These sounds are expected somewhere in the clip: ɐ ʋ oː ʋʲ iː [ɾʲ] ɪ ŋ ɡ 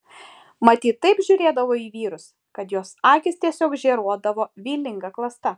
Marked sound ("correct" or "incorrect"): incorrect